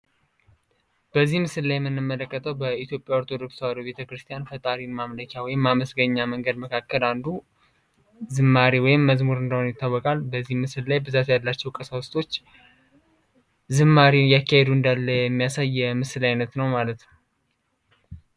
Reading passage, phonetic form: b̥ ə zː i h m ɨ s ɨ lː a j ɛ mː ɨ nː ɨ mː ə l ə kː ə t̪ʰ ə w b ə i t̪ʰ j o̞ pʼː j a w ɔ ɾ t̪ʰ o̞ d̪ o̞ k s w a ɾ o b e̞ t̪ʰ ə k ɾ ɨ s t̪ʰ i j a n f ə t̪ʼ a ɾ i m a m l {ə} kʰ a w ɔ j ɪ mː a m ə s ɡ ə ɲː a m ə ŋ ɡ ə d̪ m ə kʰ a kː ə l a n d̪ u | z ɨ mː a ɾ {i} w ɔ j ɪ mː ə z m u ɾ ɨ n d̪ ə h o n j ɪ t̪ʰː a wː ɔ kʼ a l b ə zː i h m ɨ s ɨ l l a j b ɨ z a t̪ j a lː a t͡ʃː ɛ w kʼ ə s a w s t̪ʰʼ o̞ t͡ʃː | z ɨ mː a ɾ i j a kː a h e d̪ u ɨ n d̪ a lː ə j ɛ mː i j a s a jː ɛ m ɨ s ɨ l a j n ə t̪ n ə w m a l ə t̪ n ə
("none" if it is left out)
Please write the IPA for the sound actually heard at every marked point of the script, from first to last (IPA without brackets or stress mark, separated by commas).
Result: ə, i